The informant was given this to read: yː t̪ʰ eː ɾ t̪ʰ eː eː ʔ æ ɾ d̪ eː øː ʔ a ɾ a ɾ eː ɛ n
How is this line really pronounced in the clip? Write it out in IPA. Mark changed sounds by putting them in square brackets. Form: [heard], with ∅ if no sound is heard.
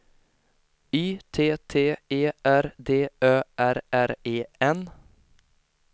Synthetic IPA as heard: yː t̪ʰ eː [∅] t̪ʰ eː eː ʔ æ ɾ d̪ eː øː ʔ [æ] ɾ [æ] ɾ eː ɛ n